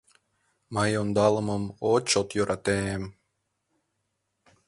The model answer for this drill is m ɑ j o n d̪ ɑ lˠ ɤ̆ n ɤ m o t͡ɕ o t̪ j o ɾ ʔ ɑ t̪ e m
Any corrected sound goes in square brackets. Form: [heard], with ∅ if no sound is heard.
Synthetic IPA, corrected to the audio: m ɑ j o n d̪ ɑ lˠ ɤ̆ [m] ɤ m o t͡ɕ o t̪ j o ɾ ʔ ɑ t̪ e m

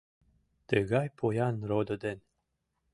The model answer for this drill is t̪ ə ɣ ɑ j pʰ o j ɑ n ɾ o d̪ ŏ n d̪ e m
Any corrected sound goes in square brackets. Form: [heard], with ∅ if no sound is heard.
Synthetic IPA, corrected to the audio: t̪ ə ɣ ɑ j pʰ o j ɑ n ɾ o d̪ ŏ [∅] d̪ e [n]

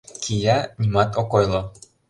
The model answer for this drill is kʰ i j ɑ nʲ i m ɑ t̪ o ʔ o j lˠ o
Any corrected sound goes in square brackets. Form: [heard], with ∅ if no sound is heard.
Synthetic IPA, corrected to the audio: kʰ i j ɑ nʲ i m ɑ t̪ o [k] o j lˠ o

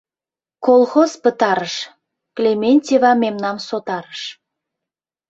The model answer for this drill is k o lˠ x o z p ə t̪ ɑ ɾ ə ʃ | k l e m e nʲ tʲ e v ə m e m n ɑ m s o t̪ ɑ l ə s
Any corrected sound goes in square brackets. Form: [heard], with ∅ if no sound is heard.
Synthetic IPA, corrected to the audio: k o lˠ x o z p ə t̪ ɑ ɾ ə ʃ | k l e m e nʲ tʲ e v [ɑ] m e m n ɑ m s o t̪ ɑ [ɾ] ə [ʃ]

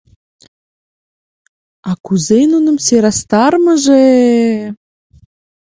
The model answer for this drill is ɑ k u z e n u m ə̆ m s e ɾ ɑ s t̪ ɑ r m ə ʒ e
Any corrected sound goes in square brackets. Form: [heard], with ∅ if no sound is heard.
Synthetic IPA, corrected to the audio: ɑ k u z e n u [n] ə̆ m s e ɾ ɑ s t̪ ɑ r m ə ʒ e

